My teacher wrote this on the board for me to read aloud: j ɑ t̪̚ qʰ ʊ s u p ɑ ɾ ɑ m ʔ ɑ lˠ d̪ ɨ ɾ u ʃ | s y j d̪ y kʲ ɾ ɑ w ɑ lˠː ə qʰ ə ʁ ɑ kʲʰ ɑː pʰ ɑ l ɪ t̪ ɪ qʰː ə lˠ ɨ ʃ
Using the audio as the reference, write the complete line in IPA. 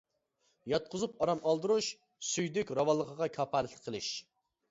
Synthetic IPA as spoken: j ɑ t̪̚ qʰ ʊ z u p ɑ ɾ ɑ m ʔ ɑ lˠ d̪ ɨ ɾ u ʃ | s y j d̪ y kʲ ɾ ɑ w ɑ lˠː ə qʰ ə ʁ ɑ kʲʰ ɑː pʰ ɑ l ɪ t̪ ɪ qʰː ə lˠ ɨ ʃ

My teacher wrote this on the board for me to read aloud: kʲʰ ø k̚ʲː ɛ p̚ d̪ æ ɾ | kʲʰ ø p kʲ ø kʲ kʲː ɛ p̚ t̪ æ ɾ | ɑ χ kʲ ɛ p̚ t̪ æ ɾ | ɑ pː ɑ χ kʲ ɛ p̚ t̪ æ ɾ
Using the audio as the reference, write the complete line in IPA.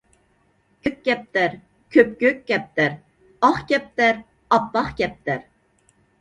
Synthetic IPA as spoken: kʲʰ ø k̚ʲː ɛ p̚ t̪ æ ɾ | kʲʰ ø p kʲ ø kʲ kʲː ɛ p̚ t̪ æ ɾ | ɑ χ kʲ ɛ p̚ t̪ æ ɾ | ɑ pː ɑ χ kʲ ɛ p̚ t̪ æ ɾ

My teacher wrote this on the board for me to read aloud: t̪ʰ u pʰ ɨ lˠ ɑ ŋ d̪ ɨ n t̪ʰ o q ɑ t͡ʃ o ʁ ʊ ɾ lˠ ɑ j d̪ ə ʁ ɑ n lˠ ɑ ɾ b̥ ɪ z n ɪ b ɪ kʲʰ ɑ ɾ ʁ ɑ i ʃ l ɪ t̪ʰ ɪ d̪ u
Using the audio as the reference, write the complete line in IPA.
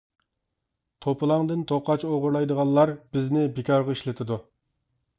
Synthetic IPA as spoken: t̪ʰ o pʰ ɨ lˠ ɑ ŋ d̪ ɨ n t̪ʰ o q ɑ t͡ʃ o ʁ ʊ ɾ lˠ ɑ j d̪ ə ʁ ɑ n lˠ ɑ ɾ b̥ ɪ z n ɪ b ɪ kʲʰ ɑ ɾ ʁ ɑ i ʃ l ɪ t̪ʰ ɪ d̪ u

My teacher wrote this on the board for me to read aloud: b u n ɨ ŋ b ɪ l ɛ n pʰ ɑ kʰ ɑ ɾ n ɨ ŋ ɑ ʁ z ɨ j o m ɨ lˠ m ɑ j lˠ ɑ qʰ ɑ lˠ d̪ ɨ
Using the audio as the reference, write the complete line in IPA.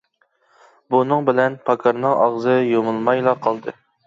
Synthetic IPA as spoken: b u n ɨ ŋ b ɪ l ɛ n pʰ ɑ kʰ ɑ ɾ n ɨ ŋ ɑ ʁ z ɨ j o m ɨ lˠ m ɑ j lˠ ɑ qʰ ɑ lˠ d̪ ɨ

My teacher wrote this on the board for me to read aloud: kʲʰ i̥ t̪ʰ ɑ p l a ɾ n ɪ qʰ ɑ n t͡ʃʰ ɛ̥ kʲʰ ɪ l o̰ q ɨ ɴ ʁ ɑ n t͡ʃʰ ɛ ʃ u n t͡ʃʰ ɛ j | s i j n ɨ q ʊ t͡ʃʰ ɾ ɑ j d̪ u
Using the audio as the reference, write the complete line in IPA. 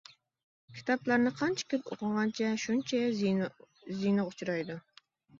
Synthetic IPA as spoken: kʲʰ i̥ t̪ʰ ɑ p l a ɾ n ɪ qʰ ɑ n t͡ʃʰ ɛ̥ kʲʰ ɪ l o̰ q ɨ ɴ ʁ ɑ n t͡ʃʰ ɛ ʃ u n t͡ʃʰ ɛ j | z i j n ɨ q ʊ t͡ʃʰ ɾ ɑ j d̪ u

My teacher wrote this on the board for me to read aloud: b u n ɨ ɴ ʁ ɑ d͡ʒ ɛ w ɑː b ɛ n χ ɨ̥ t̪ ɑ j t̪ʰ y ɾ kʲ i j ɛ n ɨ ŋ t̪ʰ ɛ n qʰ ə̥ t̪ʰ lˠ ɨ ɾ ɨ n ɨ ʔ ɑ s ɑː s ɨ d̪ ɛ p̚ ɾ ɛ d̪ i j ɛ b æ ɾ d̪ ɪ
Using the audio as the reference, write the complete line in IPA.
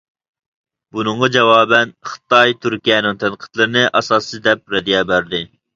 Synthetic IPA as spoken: b u n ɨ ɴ ʁ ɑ d͡ʒ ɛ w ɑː b ɛ n χ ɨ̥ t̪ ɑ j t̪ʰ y ɾ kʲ i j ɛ n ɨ ŋ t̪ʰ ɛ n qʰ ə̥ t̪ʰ lˠ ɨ ɾ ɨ n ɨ ʔ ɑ s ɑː s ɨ d̪ ɛ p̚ ɾ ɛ d̪ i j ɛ b æ ɾ d̪ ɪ

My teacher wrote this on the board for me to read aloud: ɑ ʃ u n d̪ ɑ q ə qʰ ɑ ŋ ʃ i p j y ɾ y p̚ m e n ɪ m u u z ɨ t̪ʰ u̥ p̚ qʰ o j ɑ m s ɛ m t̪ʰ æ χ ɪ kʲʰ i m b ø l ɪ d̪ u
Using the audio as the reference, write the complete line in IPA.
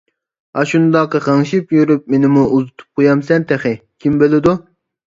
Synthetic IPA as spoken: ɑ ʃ u n d̪ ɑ q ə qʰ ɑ ŋ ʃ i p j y ɾ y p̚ m e n ɪ m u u z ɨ t̪ʰ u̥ p̚ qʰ o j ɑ m s ɛ n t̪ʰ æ χ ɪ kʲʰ i m b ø l ɪ d̪ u

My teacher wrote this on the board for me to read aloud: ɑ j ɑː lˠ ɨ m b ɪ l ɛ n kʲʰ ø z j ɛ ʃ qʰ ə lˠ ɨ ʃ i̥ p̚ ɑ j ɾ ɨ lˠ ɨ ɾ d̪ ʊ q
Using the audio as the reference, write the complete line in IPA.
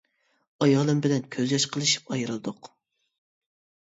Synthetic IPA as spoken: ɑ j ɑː lˠ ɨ m b ɪ l ɛ n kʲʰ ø z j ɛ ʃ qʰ ə lˠ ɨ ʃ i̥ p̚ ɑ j ɾ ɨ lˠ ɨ d̪ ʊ q

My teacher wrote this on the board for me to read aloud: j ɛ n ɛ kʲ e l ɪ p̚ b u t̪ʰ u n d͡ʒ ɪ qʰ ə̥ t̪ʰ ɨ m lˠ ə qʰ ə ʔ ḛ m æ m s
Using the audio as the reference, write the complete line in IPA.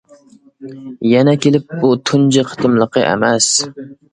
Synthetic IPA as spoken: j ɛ n ɛ kʲ e l ɪ p̚ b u t̪ʰ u n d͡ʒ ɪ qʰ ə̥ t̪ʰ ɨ m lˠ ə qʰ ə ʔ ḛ m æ s

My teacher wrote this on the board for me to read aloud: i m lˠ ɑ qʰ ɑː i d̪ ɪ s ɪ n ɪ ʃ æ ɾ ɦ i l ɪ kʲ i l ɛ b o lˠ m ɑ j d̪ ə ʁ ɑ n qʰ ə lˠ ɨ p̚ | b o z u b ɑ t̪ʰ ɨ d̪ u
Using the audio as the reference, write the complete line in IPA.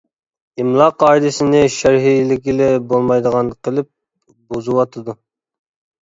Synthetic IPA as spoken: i m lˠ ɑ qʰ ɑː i d̪ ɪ s ɪ n ɪ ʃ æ ɾ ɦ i l ɪ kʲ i l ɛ b o lˠ m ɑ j d̪ ə ʁ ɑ n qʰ ə lˠ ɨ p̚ | b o z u w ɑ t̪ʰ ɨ d̪ u

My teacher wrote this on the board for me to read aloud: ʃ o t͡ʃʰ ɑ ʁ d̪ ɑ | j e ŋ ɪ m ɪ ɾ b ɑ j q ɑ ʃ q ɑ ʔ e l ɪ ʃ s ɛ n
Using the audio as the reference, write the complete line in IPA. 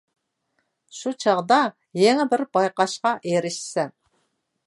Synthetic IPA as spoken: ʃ u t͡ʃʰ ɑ ʁ d̪ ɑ | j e ŋ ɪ b ɪ ɾ b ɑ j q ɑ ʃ q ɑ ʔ e ɾ ɪ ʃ s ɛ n

